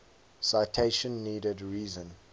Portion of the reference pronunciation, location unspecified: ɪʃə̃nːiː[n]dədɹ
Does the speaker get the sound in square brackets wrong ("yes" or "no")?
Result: yes